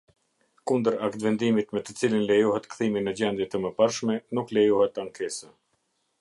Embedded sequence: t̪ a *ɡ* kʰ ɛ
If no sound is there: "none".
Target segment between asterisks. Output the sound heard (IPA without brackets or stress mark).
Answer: ŋ